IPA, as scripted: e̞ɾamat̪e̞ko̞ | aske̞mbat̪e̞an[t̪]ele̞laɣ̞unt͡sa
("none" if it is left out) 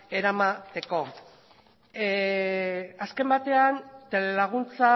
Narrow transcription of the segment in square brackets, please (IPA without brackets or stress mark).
t̪